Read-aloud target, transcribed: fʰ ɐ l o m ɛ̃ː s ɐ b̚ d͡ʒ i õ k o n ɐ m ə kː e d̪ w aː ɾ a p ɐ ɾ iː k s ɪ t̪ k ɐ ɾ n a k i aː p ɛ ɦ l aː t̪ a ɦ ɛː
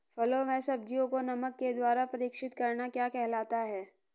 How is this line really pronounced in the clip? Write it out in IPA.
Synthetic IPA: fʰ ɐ l o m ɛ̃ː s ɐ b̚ d͡ʒ i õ k o n ɐ m ə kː e d̪ w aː ɾ a p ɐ ɾ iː k ʃ ɪ t̪ k ɐ ɾ n a k j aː k ɛ ɦ l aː t̪ a ɦ ɛː